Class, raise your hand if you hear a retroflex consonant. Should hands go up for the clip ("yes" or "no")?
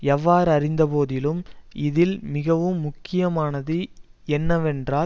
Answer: no